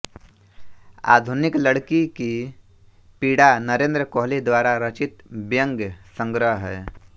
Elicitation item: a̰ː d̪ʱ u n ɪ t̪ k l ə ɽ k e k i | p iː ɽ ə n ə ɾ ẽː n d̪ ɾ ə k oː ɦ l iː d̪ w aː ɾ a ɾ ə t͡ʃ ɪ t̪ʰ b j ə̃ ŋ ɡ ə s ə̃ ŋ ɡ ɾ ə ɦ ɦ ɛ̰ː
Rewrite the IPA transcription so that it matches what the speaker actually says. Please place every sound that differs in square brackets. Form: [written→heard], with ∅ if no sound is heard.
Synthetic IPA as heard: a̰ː d̪ʱ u n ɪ [t̪→∅] k l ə ɽ k [e→i] k i | p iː ɽ [ə→a] n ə ɾ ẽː n d̪ ɾ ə k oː ɦ l [iː→i] d̪ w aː ɾ a ɾ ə t͡ʃ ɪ [t̪ʰ→t̪] b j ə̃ ŋ ɡ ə s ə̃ ŋ ɡ ɾ ə ɦ ɦ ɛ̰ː